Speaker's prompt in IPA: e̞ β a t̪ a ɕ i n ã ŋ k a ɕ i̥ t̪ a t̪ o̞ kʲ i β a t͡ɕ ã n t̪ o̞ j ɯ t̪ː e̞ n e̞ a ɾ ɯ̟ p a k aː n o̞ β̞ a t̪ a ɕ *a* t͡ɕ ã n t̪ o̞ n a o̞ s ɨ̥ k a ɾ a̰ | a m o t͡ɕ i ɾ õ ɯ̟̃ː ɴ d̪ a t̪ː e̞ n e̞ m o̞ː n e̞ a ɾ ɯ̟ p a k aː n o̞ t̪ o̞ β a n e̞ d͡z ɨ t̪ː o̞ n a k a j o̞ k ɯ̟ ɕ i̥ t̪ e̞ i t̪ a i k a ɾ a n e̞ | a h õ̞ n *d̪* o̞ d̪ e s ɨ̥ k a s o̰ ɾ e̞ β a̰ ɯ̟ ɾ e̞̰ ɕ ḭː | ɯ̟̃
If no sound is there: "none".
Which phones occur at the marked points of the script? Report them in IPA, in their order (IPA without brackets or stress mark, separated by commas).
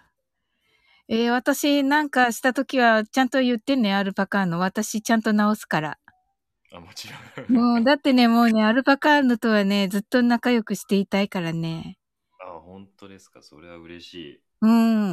i, t̪